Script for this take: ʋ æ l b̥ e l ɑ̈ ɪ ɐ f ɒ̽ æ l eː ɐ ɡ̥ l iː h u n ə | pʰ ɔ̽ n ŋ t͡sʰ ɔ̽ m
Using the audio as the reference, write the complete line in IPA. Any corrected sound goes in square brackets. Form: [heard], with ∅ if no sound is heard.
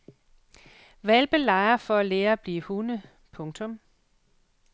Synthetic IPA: ʋ æ l b̥ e l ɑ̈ ɪ ɐ f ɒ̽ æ l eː ɐ [b̥] l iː h u n ə | pʰ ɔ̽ [∅] ŋ t͡sʰ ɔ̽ m